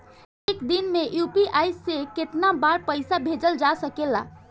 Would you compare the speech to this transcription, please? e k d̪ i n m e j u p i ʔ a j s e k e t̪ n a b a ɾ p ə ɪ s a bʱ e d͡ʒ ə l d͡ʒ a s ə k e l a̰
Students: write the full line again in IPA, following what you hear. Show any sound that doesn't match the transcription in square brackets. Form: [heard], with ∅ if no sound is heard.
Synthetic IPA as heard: e k d̪ i n m e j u p i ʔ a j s e k e t̪ n a b a ɾ p ə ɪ s a bʱ e d͡ʒ ə l d͡ʒ a s ə k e l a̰